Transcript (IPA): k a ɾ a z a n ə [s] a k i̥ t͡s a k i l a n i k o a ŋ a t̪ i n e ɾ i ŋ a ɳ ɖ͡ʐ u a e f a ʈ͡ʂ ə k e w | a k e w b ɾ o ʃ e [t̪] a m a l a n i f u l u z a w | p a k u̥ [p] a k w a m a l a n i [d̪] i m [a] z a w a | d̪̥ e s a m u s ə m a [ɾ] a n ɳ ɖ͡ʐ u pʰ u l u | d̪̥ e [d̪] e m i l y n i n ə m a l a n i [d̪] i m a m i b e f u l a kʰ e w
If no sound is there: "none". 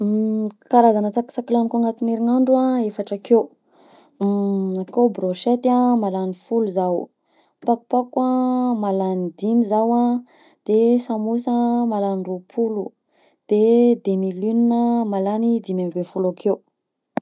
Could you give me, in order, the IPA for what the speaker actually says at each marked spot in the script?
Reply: t͡s, t̪, p, d̪, i, l, d̪, d̪

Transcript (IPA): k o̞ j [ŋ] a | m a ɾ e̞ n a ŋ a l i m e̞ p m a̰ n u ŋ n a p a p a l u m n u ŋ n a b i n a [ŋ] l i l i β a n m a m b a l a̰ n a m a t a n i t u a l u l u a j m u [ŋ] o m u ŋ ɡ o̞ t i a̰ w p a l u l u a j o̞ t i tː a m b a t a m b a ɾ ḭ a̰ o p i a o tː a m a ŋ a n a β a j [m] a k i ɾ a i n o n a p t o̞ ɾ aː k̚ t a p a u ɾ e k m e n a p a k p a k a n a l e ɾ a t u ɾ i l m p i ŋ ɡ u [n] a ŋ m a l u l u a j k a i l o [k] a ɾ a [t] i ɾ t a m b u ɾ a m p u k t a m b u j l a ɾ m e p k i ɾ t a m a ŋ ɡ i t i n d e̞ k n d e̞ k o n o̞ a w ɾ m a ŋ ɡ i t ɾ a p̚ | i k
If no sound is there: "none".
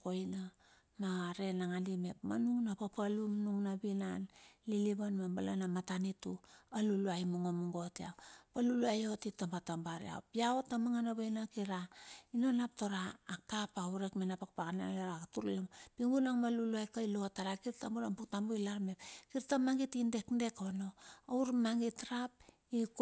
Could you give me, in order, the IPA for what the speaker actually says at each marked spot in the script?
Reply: n, n, ŋ, n, n, t, k

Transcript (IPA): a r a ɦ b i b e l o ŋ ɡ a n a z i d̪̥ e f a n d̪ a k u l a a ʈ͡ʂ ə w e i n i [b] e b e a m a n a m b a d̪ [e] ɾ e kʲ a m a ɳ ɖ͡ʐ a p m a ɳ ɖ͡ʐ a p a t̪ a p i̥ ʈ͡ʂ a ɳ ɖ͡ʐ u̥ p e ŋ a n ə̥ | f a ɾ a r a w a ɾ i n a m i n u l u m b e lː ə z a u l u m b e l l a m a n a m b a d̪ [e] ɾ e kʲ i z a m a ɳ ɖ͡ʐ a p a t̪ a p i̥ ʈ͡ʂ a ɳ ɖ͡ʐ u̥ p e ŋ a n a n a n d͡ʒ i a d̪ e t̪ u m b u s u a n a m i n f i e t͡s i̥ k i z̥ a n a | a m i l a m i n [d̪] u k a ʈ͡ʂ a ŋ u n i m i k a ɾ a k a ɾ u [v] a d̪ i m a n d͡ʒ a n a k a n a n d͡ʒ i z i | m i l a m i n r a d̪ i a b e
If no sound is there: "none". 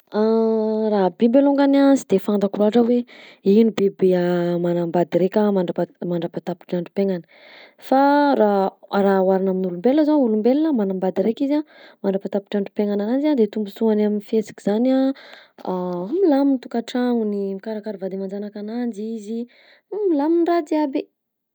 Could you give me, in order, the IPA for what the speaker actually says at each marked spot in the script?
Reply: b, i, i, t̪, v

